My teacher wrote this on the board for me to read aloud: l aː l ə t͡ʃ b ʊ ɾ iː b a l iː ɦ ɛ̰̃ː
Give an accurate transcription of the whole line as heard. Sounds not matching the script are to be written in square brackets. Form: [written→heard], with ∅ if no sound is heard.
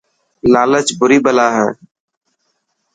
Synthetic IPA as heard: l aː l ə t͡ʃ b ʊ ɾ iː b [a→ə] l [iː→aː] ɦ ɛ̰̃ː